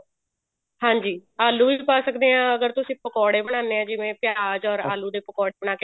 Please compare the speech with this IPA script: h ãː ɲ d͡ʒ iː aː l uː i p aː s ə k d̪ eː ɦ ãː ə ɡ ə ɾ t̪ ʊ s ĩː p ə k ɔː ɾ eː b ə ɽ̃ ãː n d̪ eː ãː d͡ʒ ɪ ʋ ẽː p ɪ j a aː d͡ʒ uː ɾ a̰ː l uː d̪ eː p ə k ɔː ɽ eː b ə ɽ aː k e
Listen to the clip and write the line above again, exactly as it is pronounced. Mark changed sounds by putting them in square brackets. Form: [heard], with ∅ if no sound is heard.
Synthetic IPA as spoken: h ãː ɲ d͡ʒ iː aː l uː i p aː s ə k d̪ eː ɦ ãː ə ɡ ə ɾ t̪ ʊ s ĩː p ə k ɔː [ɽ] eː b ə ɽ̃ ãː n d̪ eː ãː d͡ʒ ɪ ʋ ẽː p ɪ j a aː d͡ʒ [ɔː] ɾ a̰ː l uː d̪ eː p ə k ɔː ɽ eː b ə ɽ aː k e

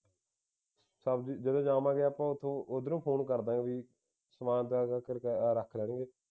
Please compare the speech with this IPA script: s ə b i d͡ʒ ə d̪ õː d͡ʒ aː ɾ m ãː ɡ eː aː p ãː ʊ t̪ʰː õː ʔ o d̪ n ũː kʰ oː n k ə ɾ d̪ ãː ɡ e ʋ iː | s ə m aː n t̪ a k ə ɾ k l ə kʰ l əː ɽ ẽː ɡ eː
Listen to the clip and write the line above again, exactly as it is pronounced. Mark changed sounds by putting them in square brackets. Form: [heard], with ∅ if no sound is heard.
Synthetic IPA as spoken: s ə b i d͡ʒ ə d̪ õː d͡ʒ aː [∅] m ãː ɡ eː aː p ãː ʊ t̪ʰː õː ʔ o d̪ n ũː [pʰ] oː n k ə ɾ d̪ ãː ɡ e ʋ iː | s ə m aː n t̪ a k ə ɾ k [ɾ] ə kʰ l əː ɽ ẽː ɡ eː

